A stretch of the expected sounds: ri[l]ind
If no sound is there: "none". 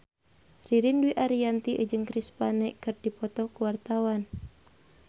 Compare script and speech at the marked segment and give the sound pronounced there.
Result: ɾ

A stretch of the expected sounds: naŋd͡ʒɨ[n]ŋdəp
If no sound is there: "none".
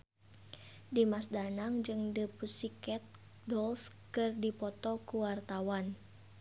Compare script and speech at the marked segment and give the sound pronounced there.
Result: none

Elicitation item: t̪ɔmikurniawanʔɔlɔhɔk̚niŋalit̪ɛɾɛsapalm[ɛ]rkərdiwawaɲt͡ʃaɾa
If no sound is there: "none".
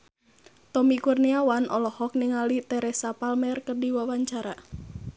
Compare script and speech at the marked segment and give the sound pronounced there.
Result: ɛ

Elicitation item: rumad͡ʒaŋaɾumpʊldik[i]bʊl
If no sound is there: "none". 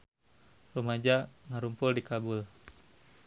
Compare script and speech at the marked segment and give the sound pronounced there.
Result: a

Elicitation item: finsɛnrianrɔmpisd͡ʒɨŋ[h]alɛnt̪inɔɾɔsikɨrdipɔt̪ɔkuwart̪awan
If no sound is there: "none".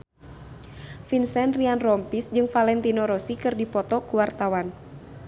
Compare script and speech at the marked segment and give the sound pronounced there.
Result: f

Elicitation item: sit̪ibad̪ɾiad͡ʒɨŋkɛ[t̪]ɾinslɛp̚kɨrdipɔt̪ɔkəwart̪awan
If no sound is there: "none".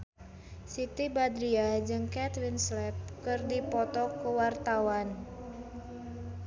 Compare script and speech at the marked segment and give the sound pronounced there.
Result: t̪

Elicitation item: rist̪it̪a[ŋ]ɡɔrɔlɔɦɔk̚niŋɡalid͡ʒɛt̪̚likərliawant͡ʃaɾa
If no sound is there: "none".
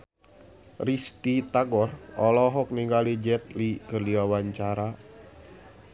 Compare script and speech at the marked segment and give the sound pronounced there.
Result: none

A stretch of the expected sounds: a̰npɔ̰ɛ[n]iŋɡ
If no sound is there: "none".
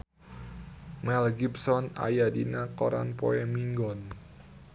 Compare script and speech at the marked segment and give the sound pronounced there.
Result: m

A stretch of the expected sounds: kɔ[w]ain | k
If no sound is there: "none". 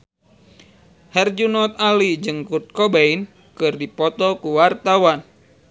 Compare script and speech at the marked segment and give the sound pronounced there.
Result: b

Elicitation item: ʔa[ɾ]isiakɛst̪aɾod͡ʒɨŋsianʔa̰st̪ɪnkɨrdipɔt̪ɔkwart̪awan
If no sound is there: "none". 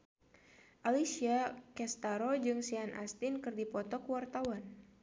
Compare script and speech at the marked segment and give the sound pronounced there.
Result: l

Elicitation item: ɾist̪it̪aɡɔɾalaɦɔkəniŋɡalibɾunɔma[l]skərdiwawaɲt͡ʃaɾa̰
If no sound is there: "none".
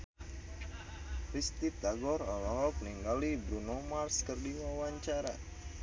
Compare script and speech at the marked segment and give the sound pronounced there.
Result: r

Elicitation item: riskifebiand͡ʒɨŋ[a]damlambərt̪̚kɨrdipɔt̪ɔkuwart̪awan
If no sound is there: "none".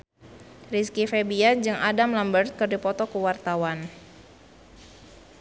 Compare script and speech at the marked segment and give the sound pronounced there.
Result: a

